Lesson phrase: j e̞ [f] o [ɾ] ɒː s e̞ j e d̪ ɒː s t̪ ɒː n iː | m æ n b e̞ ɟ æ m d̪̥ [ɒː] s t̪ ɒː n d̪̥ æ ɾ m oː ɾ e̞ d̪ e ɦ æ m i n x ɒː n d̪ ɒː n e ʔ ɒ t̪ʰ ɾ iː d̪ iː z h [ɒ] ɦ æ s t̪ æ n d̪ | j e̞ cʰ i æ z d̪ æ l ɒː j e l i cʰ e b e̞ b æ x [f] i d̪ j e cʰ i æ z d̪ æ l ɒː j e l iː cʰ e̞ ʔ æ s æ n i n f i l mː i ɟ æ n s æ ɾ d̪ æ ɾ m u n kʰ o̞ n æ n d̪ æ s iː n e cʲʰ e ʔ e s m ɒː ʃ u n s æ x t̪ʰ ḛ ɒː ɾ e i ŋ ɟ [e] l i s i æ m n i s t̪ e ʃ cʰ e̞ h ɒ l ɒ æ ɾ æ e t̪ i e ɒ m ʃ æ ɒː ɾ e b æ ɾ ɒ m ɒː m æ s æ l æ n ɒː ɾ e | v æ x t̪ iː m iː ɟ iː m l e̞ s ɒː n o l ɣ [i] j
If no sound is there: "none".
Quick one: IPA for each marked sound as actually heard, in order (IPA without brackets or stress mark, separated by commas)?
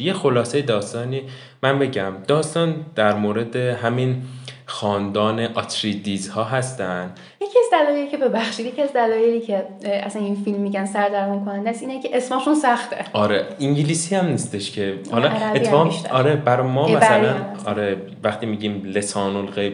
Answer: x, l, ɒː, ɒː, ʃ, i, e